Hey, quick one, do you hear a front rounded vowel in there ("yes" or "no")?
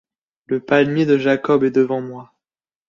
no